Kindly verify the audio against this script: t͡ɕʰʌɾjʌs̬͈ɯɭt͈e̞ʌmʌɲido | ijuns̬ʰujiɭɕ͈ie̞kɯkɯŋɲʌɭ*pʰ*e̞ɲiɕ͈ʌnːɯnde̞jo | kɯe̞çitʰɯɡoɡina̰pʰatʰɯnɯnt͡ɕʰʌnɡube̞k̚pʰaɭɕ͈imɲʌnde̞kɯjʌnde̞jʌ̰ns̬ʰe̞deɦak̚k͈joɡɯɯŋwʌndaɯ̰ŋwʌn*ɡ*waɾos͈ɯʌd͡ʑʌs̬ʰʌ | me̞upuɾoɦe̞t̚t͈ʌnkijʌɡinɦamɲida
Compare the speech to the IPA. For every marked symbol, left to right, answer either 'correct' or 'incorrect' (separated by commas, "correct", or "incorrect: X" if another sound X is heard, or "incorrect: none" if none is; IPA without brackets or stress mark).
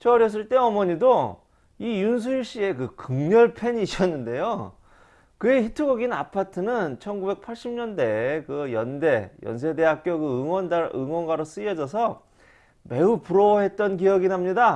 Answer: correct, correct